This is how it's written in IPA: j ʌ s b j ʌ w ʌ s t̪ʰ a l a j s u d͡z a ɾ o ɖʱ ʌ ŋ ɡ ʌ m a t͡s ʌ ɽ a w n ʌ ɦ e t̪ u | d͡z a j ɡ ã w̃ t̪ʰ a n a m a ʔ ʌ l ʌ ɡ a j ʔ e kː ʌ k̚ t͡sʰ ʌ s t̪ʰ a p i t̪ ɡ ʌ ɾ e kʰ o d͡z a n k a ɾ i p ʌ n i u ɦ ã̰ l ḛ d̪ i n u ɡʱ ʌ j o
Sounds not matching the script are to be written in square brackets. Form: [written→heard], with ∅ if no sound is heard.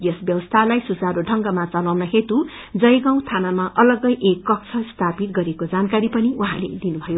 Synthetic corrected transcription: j ʌ s b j ʌ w ʌ s t̪ʰ a l a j s u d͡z a ɾ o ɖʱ ʌ ŋ ɡ ʌ m a t͡s ʌ [ɽ→l] a w n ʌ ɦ e t̪ u | d͡z [a→ʌ] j ɡ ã w̃ t̪ʰ a n a m a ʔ ʌ l ʌ ɡ [a→ʌ] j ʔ e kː ʌ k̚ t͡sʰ ʌ s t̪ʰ a p i t̪ ɡ ʌ ɾ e [kʰ→k] o d͡z a n k a ɾ i p ʌ n i u ɦ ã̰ l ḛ d̪ i n u [ɡʱ→bʱ] ʌ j o